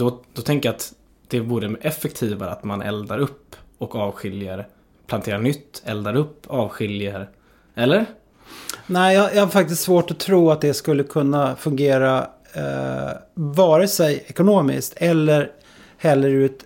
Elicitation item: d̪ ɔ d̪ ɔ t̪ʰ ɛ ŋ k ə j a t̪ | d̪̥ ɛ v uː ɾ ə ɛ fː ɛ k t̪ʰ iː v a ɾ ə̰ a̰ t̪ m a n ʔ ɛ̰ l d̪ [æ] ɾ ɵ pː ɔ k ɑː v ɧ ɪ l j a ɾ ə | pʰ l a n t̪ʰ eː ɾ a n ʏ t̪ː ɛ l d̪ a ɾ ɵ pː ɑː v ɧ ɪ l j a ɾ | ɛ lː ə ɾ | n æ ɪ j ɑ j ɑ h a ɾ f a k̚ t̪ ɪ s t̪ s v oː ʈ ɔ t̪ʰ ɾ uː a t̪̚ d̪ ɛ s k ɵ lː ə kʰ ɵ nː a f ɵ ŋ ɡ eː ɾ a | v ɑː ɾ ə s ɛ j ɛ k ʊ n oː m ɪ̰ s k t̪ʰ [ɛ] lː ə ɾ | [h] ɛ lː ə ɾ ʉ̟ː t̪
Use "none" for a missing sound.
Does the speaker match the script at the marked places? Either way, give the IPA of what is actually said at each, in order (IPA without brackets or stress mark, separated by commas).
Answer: a, ɛ, h